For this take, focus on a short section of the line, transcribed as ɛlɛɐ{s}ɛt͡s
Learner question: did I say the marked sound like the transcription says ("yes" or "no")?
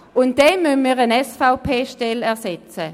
yes